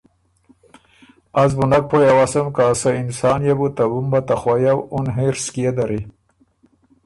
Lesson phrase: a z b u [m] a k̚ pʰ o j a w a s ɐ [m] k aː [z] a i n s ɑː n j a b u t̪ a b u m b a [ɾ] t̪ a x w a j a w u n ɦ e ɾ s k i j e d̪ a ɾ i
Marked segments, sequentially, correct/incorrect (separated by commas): incorrect, correct, incorrect, incorrect